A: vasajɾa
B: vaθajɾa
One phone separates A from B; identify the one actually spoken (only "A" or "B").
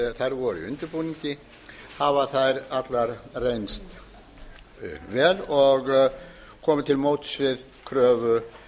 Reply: B